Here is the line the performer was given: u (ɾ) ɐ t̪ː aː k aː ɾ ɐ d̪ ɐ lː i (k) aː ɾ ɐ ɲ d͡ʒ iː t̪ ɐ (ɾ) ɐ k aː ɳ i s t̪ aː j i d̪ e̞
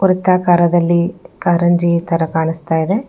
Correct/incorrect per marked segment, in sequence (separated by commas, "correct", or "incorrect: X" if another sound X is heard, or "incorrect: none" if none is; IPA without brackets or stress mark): correct, correct, correct